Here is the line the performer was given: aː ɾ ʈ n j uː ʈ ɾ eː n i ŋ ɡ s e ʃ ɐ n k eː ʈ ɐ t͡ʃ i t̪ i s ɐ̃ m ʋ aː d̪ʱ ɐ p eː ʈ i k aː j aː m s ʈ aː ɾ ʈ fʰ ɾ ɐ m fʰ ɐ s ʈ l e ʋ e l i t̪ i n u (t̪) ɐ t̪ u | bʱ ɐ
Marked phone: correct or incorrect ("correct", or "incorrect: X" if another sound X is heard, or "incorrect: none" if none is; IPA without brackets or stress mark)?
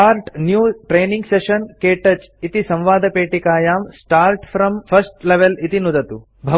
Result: incorrect: d̪